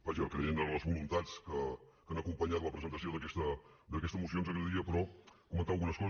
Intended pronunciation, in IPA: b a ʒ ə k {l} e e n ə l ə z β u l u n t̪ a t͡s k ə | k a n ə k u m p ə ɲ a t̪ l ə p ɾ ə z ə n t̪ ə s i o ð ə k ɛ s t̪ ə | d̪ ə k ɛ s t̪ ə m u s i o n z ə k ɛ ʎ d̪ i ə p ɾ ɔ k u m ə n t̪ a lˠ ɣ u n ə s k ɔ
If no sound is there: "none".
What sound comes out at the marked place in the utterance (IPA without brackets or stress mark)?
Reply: ɾ